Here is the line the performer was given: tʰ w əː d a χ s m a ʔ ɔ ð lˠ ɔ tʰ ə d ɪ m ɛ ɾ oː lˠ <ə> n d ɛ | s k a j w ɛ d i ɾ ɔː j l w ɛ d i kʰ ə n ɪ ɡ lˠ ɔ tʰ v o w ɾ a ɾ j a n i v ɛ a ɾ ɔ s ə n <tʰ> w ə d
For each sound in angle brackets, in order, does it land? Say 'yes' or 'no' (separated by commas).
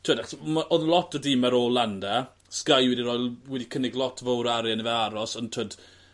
no, yes